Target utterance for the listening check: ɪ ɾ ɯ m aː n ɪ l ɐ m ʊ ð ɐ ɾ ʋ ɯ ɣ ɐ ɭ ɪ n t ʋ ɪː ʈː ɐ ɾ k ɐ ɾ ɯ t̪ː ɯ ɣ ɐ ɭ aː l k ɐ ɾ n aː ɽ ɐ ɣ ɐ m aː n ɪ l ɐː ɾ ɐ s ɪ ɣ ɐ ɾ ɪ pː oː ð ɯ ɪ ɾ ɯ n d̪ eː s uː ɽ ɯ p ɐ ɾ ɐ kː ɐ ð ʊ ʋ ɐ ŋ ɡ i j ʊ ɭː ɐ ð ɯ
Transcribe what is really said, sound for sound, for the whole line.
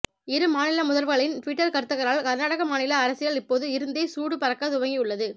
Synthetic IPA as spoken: ɪ ɾ ɯ m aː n ɪ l ɐ m ʊ ð ɐ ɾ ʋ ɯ ɣ ɐ ɭ ɪ n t ʋ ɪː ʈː ɐ ɾ k ɐ ɾ ɯ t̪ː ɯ ɣ ɐ ɾ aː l k ɐ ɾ n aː ɽ ɐ ɣ ɐ m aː n ɪ l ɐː ɾ ɐ s ɪ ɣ ɐ ɭ ɪ pː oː ð ɯ ɪ ɾ ɯ n d̪ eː s uː ɽ ɯ p ɐ ɾ ɐ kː ɐ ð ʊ ʋ ɐ ŋ ɡ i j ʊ ɭː ɐ ð ɯ